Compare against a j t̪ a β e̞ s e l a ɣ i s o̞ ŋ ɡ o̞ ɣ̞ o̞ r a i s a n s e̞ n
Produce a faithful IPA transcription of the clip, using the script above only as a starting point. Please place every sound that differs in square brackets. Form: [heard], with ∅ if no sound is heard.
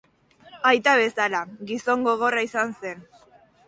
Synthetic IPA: a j t̪ a β e̞ s [a] l a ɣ i s o̞ ŋ ɡ o̞ ɣ̞ o̞ r a i s a n s e̞ n